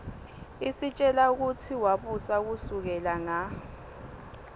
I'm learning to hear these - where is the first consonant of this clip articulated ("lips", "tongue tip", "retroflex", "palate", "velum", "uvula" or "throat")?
tongue tip